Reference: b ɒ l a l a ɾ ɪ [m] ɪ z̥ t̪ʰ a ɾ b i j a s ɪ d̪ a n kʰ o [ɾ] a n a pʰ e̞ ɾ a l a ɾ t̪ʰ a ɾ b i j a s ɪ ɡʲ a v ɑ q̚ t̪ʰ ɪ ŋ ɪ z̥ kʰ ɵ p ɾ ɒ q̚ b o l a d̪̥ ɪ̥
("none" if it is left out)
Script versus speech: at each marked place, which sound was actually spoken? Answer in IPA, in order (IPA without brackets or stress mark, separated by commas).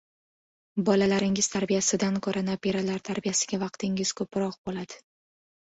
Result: ŋ, ɾ